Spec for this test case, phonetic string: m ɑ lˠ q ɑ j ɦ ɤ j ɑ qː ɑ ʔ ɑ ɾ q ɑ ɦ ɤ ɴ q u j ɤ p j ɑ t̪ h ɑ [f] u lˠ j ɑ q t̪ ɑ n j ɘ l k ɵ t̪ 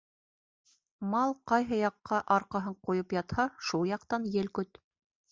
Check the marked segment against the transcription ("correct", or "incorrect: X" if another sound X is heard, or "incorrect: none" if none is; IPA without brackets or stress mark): incorrect: ʃ